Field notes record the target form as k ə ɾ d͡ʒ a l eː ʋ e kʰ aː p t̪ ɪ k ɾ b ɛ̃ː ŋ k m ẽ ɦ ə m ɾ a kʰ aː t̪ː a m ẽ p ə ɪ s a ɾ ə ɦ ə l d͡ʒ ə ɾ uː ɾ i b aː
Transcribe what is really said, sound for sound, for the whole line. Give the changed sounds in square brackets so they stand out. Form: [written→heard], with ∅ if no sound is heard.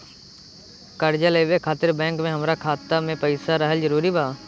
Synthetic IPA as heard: k ə ɾ d͡ʒ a l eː ʋ e kʰ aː [p→∅] t̪ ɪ [k→∅] ɾ b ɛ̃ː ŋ k m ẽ ɦ ə m ɾ a kʰ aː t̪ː a m ẽ p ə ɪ s a ɾ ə ɦ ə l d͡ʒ ə ɾ uː ɾ i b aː

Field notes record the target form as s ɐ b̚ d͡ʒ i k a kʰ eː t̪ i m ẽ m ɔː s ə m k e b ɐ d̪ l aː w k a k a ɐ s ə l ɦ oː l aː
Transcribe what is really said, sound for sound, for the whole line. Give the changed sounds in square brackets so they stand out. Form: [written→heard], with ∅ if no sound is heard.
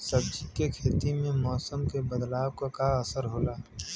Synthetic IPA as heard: s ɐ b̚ d͡ʒ i k [a→e] kʰ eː t̪ i m ẽ m ɔː s ə m k e b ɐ d̪ l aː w k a k a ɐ s ə [l→ɾ] ɦ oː l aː

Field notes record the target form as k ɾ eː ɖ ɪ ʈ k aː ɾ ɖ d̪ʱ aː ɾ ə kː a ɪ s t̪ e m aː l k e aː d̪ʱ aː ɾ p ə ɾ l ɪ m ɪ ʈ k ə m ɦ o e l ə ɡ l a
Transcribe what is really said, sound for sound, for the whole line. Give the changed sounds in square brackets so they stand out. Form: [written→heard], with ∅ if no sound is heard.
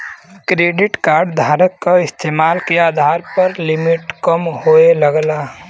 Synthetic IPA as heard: k ɾ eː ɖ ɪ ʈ k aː ɾ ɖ d̪ʱ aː ɾ ə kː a ɪ s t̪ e m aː l k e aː d̪ʱ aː ɾ p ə ɾ l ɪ m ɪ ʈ k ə m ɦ o e l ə ɡ l a

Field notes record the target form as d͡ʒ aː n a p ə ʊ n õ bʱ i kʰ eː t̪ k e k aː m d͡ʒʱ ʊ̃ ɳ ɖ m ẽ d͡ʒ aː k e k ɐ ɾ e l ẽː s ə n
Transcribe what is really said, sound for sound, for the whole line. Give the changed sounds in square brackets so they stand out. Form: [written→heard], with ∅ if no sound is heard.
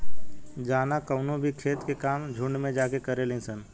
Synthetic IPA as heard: d͡ʒ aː n a [p→k] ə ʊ n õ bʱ i kʰ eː t̪ k e k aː m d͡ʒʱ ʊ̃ ɳ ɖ m ẽ d͡ʒ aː k e k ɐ ɾ e l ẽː s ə n

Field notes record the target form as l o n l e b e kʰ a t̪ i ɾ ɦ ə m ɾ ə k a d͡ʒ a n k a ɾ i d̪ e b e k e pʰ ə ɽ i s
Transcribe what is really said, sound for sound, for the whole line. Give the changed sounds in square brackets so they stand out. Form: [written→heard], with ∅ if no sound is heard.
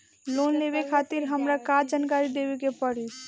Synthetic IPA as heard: l o n l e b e kʰ a t̪ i ɾ ɦ ə m ɾ [ə→a] k a d͡ʒ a n k a ɾ i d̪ e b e k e [pʰ→p] ə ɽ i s

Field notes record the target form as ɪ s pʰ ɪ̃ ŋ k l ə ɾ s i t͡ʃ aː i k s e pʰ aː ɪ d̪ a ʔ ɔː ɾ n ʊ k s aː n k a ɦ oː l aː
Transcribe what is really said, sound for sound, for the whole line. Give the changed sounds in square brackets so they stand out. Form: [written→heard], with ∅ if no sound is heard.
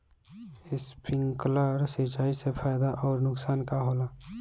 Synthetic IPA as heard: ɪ s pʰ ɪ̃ ŋ k l ə ɾ s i t͡ʃ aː i [k→∅] s e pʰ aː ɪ d̪ a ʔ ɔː ɾ n ʊ k s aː n k a ɦ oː l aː

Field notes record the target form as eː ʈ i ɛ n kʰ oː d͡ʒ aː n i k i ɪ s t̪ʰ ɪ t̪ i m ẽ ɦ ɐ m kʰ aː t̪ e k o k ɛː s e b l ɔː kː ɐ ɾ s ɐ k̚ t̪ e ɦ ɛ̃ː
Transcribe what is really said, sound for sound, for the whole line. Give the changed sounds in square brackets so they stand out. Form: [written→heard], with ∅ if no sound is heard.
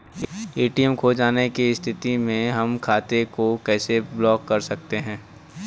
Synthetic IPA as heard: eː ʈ i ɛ [n→m] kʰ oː d͡ʒ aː n [i→e] k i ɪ s t̪ʰ ɪ t̪ i m ẽ ɦ ɐ m kʰ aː t̪ e k o k ɛː s e b l ɔː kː ɐ ɾ s ɐ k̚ t̪ e ɦ ɛ̃ː

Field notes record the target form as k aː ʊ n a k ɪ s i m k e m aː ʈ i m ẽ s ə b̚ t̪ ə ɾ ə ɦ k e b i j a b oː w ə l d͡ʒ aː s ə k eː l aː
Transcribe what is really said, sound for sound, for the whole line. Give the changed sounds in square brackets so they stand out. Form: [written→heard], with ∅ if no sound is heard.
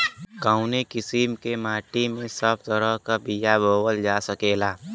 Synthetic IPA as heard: k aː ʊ n [a→e] k ɪ s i m k e m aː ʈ i m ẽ s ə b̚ t̪ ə ɾ ə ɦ k [e→a] b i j a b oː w ə l d͡ʒ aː s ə k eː l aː

